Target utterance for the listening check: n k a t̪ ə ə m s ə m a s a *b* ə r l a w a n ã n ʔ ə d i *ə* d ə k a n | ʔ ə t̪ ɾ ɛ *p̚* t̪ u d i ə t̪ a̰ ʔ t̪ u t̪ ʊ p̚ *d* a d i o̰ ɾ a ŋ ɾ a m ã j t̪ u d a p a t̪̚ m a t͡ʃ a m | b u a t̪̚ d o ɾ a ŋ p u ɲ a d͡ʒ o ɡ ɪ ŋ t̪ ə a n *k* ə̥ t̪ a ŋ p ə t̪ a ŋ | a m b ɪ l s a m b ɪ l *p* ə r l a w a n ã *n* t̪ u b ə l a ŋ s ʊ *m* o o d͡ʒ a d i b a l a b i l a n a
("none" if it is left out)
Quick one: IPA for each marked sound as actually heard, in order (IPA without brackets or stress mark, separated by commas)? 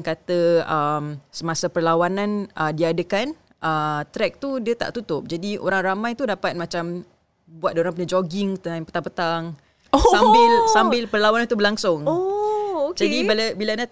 p, a, k̚, d͡ʒ, p, p, n, ŋ